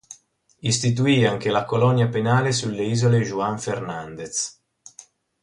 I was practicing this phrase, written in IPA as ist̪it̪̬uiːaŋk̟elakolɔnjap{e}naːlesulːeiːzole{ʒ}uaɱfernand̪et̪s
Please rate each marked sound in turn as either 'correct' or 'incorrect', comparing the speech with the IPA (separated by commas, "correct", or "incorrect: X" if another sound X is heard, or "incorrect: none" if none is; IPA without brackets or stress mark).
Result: correct, correct